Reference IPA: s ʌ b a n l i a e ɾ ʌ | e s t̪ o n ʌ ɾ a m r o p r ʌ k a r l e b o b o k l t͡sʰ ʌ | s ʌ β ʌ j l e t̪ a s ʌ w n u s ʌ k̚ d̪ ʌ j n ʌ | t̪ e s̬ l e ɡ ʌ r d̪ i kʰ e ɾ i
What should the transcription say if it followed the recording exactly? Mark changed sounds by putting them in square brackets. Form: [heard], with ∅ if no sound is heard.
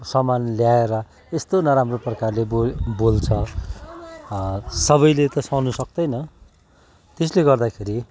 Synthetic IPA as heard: s ʌ [m] a n l [j] a e ɾ ʌ | e s t̪ o n ʌ ɾ a m r o p r ʌ k a r l e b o b o [∅] l t͡sʰ ʌ | s ʌ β ʌ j l e t̪ [ʌ] s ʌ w n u s ʌ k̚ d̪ ʌ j n ʌ | t̪ e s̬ l e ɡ ʌ r d̪ [a] kʰ e ɾ i